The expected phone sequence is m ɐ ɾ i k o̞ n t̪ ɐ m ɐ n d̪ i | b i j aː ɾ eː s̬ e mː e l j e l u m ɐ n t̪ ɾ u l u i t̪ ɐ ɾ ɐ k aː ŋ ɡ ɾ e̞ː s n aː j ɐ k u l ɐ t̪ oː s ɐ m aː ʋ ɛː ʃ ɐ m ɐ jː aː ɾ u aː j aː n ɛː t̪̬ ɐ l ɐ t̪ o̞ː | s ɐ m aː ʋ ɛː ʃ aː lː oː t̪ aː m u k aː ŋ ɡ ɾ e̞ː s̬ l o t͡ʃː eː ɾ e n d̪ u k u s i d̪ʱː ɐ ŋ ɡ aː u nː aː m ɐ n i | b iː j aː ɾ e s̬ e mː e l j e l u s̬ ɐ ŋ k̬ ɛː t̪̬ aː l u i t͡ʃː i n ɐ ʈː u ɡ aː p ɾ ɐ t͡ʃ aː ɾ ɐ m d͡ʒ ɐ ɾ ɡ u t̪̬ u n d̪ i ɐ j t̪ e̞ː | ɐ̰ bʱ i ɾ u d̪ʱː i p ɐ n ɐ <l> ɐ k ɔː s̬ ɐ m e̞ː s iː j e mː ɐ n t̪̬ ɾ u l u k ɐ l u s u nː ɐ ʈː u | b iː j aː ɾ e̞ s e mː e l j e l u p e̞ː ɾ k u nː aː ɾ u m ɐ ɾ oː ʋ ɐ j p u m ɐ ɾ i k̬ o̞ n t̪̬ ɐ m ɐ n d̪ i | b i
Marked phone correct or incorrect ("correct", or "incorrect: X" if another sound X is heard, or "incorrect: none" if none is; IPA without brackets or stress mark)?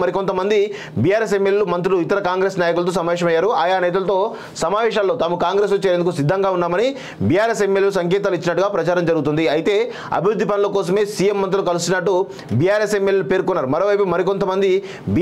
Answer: correct